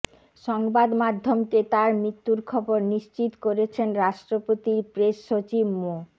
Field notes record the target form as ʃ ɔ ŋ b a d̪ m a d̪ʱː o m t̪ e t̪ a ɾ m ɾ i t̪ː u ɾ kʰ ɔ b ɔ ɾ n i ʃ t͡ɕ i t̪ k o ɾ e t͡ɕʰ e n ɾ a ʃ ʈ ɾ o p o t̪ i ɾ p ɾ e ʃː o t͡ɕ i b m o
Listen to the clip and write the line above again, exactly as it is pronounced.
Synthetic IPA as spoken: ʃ ɔ ŋ b a d̪ m a d̪ʱː o m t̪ e t̪ a ɾ m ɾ i t̪ː u ɾ kʰ ɔ b o ɾ n i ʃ t͡ɕ i t̪ k o ɾ e t͡ɕʰ e n ɾ a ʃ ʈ ɾ o p o t̪ i ɾ p ɾ e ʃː o t͡ɕ i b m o